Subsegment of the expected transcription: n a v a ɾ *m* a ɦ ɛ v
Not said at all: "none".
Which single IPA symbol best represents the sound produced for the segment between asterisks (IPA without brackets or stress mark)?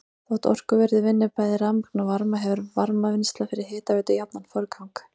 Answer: m